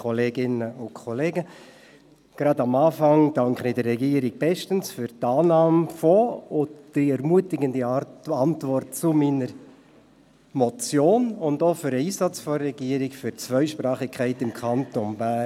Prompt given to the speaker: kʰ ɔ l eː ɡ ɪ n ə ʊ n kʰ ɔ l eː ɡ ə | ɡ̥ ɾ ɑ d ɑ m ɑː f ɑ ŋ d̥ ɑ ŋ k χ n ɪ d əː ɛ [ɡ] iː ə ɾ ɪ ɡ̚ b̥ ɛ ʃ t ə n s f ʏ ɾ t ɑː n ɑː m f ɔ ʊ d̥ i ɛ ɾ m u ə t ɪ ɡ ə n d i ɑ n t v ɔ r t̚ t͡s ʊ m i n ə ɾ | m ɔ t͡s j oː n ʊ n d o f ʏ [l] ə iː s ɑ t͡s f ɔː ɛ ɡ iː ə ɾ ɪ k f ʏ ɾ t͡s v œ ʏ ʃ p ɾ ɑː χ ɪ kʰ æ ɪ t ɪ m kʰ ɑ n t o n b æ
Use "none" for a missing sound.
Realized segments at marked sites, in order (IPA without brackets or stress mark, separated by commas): ɡ, ɾ